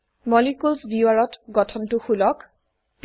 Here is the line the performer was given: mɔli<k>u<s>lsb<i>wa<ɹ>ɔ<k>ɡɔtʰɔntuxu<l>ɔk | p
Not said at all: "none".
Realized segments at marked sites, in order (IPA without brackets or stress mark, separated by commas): k, none, i, ɹ, t, l